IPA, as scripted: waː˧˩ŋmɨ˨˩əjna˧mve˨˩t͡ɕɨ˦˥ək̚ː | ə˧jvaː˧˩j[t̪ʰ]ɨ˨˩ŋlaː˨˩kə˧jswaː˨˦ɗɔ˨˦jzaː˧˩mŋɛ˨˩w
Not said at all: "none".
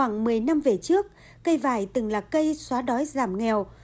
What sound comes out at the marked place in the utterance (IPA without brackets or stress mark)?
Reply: t̪